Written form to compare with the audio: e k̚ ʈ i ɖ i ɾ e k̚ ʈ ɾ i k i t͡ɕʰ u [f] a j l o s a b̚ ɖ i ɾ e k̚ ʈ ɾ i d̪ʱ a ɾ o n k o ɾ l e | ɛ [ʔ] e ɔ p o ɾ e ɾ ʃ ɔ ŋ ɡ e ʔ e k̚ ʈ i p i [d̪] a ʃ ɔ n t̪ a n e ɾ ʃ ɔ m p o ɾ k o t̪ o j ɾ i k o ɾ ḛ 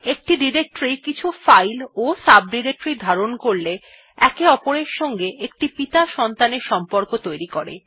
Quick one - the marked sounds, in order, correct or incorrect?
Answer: correct, incorrect: k, incorrect: t̪

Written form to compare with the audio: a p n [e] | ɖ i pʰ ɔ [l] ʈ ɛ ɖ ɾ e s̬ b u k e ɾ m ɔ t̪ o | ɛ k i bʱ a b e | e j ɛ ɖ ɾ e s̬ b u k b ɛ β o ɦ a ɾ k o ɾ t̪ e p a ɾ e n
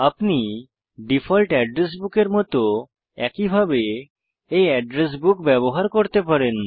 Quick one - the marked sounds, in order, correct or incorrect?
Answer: incorrect: i, correct

